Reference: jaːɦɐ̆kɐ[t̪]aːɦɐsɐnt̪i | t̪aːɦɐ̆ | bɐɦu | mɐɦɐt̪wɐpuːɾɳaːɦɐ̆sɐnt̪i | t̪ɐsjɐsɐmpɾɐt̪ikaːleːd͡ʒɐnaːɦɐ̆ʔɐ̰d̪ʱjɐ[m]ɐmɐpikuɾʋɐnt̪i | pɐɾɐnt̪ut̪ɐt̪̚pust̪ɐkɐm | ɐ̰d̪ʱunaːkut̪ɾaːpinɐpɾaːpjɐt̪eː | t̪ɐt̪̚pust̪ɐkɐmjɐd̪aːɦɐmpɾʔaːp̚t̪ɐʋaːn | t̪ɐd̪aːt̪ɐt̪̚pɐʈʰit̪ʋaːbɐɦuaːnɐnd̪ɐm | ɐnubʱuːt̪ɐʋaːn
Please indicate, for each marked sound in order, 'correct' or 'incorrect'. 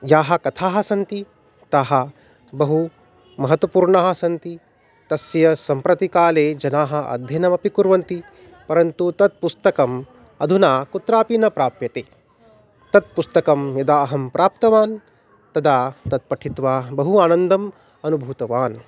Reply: incorrect, incorrect

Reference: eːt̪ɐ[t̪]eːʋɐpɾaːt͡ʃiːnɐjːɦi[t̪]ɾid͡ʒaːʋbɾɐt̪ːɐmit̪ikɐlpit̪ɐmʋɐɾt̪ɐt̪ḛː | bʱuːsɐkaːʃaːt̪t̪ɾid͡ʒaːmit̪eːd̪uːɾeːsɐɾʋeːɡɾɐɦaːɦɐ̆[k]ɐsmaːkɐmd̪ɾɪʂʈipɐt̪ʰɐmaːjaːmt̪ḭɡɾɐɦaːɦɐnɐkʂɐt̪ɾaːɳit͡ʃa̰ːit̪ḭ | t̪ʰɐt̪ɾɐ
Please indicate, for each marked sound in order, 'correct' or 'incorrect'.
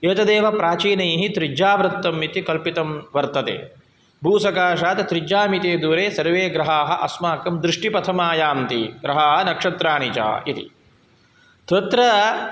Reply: incorrect, correct, incorrect

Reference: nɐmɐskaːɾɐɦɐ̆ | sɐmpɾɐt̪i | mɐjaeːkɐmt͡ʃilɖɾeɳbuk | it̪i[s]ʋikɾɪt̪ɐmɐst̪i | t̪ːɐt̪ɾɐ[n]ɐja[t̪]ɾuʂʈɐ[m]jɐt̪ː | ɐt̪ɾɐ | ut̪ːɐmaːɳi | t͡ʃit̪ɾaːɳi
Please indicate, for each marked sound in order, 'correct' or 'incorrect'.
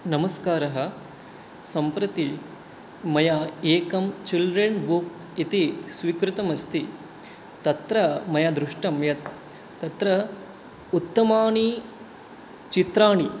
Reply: correct, incorrect, incorrect, correct

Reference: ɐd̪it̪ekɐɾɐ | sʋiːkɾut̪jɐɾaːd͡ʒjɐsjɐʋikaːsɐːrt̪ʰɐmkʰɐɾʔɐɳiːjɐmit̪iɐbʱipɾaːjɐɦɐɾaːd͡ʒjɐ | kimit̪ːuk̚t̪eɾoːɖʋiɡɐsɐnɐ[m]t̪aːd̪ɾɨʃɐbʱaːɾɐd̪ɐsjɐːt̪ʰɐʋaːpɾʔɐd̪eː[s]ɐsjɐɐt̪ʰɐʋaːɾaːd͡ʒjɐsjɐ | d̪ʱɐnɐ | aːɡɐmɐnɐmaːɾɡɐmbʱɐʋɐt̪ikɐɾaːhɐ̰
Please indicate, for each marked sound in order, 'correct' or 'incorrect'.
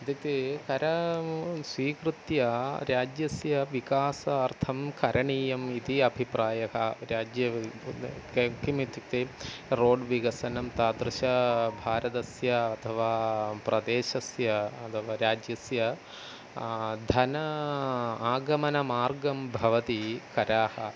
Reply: correct, incorrect

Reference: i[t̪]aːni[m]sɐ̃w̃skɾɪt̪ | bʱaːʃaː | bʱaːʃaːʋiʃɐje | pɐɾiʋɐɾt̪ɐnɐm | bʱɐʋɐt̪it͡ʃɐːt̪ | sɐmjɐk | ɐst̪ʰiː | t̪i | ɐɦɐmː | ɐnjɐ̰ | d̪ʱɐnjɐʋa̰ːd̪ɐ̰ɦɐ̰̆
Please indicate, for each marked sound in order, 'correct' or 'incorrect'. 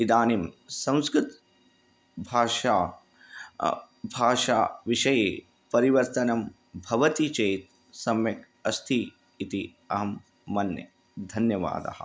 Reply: incorrect, correct

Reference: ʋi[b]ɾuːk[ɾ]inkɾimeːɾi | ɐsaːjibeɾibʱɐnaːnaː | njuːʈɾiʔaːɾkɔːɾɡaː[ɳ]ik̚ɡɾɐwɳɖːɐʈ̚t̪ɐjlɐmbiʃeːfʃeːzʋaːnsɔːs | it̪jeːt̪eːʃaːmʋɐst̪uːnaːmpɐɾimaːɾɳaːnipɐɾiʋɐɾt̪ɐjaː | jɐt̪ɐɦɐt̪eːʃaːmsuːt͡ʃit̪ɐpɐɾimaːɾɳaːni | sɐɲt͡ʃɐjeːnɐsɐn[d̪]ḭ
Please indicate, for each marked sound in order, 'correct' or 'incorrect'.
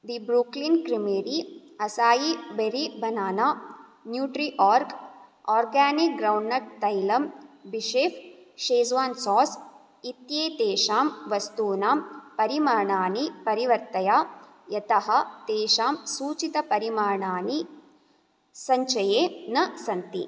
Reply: correct, incorrect, incorrect, incorrect

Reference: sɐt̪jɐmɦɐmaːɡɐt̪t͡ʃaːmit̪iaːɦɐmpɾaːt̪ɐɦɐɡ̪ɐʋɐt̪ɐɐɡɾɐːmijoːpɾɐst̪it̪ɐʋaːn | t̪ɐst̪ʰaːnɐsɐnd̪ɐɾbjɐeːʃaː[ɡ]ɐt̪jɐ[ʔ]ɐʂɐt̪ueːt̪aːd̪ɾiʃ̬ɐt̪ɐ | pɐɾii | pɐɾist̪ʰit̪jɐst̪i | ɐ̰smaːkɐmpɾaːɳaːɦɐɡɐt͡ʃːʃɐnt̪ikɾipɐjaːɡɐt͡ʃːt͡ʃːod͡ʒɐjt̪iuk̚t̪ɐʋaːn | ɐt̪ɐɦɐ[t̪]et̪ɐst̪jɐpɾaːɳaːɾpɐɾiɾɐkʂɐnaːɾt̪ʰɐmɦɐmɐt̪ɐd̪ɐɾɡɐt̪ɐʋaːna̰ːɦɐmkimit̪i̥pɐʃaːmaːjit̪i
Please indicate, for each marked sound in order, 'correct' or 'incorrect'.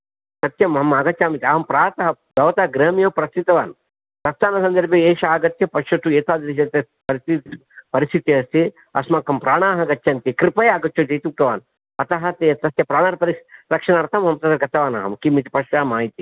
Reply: correct, incorrect, correct

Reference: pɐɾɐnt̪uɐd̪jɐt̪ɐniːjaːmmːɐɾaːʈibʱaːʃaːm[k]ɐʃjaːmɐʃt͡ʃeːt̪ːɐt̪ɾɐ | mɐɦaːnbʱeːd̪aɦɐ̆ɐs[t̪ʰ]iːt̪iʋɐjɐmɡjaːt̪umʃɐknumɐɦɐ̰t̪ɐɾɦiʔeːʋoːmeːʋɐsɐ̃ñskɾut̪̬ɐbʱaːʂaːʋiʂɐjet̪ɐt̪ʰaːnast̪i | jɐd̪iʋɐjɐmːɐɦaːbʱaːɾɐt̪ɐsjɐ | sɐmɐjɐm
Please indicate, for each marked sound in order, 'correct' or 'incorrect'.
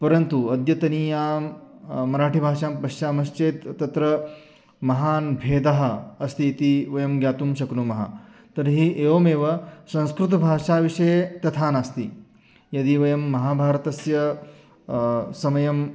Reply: incorrect, incorrect

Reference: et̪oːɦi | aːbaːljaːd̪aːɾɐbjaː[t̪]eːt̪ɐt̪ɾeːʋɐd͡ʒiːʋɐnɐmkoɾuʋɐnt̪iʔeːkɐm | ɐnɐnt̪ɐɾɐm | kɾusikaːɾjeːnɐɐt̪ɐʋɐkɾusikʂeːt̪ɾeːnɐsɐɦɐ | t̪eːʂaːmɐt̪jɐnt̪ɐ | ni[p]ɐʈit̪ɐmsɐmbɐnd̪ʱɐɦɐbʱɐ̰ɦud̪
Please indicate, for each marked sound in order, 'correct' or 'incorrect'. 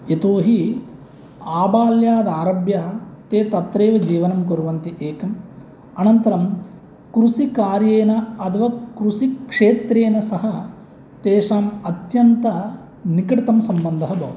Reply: correct, incorrect

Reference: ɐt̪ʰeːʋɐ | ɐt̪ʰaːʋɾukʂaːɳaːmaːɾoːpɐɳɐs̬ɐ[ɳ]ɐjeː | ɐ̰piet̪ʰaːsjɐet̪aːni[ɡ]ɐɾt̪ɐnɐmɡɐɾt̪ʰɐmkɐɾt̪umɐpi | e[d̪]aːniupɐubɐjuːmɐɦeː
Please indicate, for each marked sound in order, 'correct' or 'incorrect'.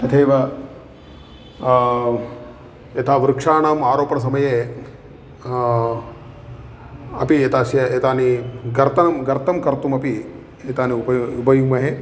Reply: incorrect, correct, incorrect

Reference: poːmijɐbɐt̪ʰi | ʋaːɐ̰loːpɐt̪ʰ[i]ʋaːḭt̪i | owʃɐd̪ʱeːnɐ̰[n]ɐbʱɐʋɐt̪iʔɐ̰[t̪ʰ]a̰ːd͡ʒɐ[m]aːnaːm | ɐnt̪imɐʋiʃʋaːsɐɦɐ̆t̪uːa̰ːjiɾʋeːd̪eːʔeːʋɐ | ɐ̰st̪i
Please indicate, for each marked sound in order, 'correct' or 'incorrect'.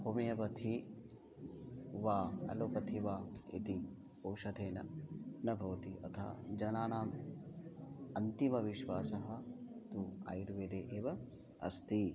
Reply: correct, correct, correct, incorrect

